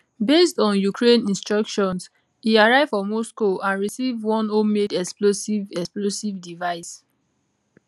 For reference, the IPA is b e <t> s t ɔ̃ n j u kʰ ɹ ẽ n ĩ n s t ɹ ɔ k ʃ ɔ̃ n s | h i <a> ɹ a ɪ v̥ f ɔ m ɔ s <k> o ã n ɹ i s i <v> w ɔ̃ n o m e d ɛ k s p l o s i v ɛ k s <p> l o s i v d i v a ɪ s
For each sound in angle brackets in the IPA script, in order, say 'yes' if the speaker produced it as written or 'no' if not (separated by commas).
no, yes, yes, yes, yes